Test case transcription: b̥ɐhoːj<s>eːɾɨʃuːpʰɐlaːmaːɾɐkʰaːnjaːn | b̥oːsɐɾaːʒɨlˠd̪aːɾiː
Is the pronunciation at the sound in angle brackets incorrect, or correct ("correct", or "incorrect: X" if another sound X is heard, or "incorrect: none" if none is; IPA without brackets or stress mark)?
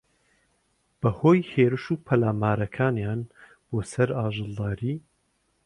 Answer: incorrect: h